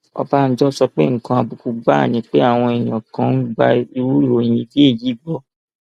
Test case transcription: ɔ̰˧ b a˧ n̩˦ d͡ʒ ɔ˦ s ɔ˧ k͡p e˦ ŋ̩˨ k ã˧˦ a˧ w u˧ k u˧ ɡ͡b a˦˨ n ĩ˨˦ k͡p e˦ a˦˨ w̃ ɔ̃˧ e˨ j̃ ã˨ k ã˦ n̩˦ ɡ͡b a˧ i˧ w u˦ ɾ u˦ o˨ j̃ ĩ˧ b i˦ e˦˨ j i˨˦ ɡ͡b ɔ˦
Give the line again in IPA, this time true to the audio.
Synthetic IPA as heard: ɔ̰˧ b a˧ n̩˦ d͡ʒ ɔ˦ s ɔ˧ k͡p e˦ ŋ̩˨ k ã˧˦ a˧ b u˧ k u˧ ɡ͡b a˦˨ n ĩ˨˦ k͡p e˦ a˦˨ w̃ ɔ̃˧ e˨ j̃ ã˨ k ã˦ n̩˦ ɡ͡b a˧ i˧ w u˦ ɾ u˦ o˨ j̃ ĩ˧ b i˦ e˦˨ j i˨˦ ɡ͡b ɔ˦